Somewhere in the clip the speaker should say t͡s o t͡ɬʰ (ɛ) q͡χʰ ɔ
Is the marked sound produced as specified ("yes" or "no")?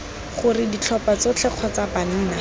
yes